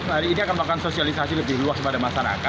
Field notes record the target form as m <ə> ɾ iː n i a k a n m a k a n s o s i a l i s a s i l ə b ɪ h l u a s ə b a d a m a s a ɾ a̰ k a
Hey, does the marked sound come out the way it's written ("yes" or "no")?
no